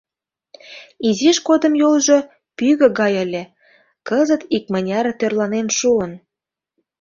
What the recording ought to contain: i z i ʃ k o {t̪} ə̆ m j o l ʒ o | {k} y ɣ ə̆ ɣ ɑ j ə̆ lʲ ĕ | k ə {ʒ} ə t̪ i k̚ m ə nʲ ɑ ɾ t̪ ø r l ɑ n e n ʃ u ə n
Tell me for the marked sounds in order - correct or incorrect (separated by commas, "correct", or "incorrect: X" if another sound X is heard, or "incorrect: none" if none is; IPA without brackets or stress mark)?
incorrect: d̪, incorrect: p, incorrect: z